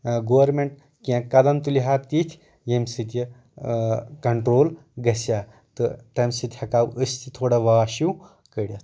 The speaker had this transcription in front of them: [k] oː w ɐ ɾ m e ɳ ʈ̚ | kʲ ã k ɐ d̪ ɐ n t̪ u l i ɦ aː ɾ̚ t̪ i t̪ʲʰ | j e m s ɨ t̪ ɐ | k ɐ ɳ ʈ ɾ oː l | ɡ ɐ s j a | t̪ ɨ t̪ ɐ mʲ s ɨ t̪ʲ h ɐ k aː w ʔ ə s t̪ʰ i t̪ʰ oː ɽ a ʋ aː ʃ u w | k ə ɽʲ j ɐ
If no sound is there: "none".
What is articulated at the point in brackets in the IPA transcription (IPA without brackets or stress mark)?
ɡ